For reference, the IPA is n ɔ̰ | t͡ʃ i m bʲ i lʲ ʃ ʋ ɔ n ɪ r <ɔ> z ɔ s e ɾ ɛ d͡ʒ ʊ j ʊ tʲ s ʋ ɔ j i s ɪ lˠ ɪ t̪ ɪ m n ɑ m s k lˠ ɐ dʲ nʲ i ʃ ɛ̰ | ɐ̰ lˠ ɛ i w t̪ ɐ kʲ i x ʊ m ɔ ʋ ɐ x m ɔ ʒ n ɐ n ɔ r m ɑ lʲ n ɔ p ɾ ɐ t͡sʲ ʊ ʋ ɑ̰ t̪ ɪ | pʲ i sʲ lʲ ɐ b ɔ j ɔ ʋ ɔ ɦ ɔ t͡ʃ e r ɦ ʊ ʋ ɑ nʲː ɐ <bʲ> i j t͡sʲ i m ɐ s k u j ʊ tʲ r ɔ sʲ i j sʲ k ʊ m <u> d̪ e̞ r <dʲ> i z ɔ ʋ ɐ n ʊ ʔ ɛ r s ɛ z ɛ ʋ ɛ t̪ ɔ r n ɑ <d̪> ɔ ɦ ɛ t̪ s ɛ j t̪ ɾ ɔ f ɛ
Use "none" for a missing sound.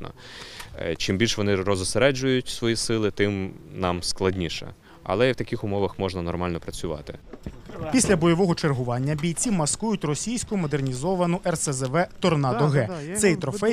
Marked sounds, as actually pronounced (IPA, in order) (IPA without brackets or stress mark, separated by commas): ɔ, bʲ, ɔ, nʲ, d̪